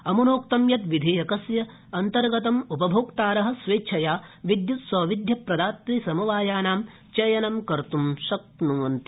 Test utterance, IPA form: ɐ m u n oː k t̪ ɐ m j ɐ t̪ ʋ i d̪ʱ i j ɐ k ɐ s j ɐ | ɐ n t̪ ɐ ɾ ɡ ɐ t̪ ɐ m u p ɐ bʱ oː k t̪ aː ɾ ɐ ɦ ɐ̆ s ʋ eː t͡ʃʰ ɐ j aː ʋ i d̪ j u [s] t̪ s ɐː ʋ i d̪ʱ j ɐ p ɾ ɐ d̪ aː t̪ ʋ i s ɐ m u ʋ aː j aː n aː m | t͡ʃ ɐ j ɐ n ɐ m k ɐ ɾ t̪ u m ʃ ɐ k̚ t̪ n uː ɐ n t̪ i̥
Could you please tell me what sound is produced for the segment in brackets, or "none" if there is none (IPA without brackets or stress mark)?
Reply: none